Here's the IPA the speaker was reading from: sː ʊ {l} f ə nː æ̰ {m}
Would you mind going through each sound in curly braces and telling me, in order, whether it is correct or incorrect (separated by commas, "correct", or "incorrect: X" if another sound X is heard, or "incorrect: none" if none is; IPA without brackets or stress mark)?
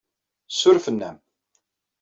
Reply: incorrect: ɾ, correct